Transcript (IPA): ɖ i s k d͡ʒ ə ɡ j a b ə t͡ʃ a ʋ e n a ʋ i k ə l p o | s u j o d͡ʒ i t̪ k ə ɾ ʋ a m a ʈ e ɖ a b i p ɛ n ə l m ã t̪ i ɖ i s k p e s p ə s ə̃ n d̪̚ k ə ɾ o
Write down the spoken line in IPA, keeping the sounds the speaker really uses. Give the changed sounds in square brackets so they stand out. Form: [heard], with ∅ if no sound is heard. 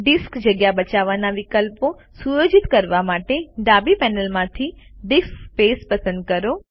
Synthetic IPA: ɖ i s k d͡ʒ ə ɡ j a b ə t͡ʃ a ʋ [a] n a ʋ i k ə l p o | s u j o d͡ʒ i t̪ k ə ɾ ʋ a m a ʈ e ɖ a b i p ɛ n ə l m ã [t̪ʰ] i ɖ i s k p e s p ə s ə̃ n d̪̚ k ə ɾ o

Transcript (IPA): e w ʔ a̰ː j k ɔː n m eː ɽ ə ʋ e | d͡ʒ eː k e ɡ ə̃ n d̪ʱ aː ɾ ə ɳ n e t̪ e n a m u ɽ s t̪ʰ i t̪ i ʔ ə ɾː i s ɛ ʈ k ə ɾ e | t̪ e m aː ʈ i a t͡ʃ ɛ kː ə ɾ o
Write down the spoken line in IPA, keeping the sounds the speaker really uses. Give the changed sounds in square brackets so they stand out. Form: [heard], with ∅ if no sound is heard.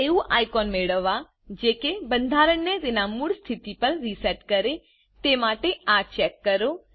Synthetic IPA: e [u] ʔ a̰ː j k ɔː n m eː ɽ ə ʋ [a] | d͡ʒ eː k e [b] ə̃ n d̪ʱ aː ɾ ə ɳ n e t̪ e n a m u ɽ s t̪ʰ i t̪ i [p] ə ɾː i s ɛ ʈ k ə ɾ e | t̪ e m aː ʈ [e] a t͡ʃ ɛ kː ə ɾ o

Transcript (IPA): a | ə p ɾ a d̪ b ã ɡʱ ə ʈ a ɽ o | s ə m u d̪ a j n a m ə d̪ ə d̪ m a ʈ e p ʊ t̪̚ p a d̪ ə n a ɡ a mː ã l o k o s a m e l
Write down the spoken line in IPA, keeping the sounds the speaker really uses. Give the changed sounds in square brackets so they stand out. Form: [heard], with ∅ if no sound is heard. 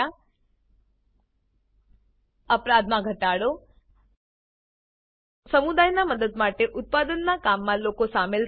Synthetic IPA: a | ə p ɾ a d̪ [m] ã ɡʱ ə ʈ a ɽ o | s ə m u d̪ a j n a m ə d̪ ə d̪ m a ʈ e [ʔ] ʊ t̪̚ p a d̪ ə [nː] a [k] a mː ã l o k o s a m e l

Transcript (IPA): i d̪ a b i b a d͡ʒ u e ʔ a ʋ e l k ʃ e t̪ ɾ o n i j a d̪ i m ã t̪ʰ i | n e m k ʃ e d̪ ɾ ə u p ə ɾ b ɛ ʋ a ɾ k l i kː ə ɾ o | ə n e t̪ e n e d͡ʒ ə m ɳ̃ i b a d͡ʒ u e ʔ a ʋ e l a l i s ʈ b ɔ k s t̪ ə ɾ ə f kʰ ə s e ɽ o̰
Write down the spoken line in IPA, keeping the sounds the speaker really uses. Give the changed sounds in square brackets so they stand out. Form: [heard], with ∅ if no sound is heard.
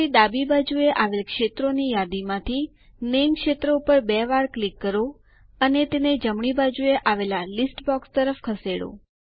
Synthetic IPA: i d̪ a b i b a d͡ʒ u e ʔ a ʋ e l k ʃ e t̪ ɾ o n i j a d̪ i m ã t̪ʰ i | n e m k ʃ e [t̪] ɾ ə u p ə ɾ b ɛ ʋ a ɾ k l i kː ə ɾ o | ə n e t̪ e n e d͡ʒ ə m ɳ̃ i b a d͡ʒ u e ʔ a ʋ e l a l i s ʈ b ɔ k s t̪ ə ɾ ə f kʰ ə s e ɽ o̰

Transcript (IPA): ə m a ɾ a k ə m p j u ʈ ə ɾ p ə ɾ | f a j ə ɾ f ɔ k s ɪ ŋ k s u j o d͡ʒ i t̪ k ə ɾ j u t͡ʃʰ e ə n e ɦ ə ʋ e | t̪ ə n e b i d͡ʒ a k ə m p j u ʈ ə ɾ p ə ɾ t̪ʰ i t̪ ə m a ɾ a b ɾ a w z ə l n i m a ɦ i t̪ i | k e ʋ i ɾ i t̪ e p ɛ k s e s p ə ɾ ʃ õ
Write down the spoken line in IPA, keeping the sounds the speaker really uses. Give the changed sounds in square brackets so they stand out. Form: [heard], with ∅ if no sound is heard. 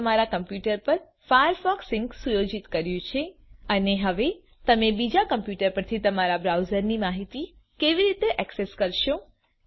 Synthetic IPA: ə m a ɾ a k ə m p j u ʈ ə ɾ p ə ɾ | f a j ə ɾ f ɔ k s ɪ ŋ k s u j o d͡ʒ i t̪ k ə ɾ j [ũ] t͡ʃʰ e ə n e ɦ ə ʋ e | t̪ ə [m] e b i d͡ʒ a k ə m p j u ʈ ə ɾ p ə ɾ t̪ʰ i t̪ ə m a ɾ a b ɾ a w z ə [ɾ] n i m a ɦ i t̪ i | k e ʋ i ɾ i t̪ e [ʔ] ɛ k s e s [k] ə ɾ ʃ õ

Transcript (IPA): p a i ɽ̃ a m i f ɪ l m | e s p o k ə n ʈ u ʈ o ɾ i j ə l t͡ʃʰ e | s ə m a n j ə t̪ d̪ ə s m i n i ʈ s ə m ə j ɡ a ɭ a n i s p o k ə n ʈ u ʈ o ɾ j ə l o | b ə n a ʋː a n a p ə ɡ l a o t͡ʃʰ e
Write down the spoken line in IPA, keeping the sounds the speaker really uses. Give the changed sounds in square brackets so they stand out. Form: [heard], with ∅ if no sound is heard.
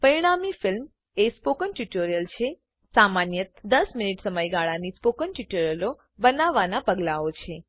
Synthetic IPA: p [ə] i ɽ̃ a m i f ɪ l m | e s p o k ə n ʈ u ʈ o ɾ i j ə l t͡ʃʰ e | s [a] m a n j ə t̪ d̪ ə s m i n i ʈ s ə m ə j ɡ a ɭ a n i s p o k ə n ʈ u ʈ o ɾ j ə l o | b ə n a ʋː a n a p ə ɡ l a o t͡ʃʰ e

